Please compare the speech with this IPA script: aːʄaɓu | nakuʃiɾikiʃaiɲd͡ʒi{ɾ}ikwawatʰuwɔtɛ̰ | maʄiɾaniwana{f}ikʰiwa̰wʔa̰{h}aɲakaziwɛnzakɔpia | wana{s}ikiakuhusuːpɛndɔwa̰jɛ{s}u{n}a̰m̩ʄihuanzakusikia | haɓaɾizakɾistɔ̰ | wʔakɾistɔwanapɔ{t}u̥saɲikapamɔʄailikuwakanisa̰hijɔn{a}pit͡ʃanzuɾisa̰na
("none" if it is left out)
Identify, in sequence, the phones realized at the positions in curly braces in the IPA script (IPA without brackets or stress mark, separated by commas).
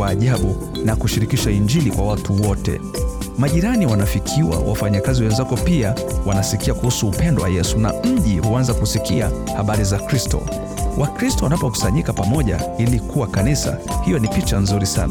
l, f, f, s, s, n, k, i